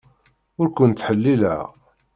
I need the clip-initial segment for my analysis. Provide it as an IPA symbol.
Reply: ʊ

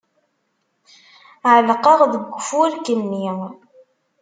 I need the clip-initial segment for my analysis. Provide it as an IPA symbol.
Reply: ʕ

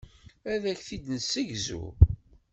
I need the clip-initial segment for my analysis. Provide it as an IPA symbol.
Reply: æ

